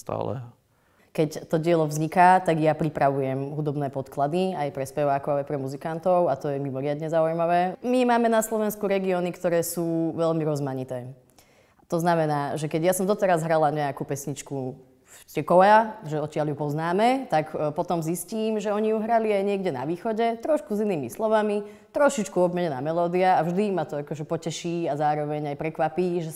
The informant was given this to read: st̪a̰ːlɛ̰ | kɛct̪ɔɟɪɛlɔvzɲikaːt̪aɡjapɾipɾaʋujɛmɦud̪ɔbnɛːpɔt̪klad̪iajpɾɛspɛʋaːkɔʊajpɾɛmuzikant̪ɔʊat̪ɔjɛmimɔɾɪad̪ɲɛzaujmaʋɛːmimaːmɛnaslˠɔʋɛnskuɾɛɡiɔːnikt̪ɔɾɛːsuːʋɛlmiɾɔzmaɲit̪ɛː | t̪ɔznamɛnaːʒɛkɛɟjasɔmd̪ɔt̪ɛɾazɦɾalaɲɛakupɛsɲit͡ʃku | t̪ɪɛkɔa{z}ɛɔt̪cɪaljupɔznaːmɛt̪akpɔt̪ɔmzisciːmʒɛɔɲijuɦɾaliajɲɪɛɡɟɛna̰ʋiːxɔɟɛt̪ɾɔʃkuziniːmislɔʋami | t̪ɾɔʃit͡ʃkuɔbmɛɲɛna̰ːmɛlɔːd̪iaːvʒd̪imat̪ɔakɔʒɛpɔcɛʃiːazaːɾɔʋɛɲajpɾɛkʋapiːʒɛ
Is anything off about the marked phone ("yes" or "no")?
yes